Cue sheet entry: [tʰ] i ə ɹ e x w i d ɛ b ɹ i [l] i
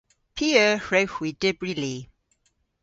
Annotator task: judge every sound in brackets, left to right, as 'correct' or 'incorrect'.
incorrect: pʰ, correct

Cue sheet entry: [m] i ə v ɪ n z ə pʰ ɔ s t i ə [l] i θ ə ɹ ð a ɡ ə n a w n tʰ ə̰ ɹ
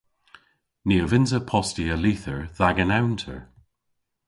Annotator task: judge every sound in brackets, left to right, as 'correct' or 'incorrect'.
incorrect: n, correct

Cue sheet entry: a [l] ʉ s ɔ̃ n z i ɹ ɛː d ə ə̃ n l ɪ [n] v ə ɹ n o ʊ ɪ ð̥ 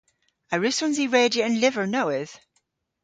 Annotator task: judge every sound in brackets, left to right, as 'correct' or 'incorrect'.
incorrect: ɹ, incorrect: none

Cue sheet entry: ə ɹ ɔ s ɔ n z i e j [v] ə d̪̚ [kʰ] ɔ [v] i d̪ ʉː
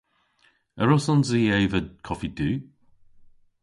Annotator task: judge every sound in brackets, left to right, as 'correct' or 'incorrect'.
correct, correct, incorrect: f

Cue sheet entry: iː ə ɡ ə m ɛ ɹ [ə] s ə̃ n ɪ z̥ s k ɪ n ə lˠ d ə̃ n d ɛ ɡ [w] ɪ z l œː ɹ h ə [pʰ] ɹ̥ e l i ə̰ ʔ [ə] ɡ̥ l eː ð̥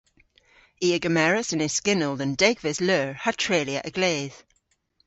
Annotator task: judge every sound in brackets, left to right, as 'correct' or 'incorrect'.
correct, incorrect: v, incorrect: tʰ, correct

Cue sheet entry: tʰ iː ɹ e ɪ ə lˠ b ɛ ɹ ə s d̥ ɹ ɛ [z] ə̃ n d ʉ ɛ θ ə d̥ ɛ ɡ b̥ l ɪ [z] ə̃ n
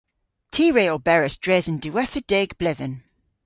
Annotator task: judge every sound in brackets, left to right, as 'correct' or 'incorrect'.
correct, incorrect: ð

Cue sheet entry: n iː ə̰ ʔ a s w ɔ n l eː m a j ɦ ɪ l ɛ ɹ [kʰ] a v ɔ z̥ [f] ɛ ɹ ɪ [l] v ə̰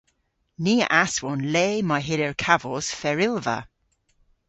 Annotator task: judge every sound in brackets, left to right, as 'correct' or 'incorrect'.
correct, correct, correct

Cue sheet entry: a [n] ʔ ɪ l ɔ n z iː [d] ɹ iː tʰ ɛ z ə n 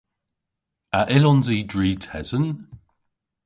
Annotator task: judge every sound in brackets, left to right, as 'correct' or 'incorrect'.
incorrect: none, correct

